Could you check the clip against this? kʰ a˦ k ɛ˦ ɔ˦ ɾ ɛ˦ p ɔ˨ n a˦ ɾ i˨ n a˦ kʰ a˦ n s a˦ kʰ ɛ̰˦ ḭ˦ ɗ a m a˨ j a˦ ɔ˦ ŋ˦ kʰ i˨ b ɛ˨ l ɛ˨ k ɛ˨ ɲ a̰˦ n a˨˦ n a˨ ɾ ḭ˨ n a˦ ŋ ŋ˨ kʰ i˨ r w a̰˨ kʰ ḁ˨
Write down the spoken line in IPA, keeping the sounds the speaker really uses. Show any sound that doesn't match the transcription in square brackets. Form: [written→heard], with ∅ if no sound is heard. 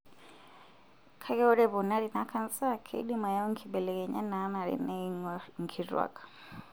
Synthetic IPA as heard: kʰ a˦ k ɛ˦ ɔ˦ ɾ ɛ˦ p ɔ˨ n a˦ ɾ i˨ n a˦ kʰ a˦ n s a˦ kʰ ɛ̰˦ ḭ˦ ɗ [a→i] m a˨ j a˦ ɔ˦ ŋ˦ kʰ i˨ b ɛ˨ l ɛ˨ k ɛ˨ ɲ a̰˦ n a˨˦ n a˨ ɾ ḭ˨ n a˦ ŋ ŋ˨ kʰ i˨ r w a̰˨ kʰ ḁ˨